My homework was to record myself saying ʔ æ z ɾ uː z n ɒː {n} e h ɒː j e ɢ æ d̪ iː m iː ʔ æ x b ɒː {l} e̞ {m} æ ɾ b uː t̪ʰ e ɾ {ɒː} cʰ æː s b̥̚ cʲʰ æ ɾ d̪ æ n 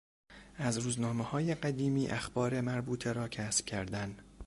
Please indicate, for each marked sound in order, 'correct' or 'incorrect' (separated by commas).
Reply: incorrect, incorrect, correct, correct